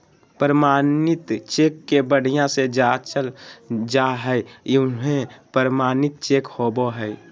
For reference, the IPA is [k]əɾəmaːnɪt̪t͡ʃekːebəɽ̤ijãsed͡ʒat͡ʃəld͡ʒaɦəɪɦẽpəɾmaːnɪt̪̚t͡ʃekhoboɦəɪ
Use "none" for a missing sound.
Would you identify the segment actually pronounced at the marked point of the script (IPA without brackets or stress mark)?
p